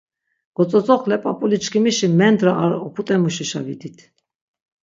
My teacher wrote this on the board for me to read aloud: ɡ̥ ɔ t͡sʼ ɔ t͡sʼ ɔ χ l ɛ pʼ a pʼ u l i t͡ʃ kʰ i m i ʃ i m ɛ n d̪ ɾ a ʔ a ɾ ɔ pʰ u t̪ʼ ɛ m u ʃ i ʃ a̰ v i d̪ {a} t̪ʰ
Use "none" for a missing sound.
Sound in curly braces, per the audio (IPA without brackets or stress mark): i